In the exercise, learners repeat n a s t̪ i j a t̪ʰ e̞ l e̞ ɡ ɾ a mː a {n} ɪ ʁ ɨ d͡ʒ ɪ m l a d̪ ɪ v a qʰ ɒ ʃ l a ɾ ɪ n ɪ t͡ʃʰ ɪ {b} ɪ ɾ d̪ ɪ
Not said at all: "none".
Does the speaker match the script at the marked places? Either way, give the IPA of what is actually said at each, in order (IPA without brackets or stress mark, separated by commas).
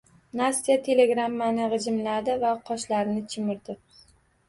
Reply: n, m